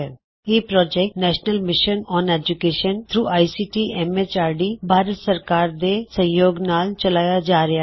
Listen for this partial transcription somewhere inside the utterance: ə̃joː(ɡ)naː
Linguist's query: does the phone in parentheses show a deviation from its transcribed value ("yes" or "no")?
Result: no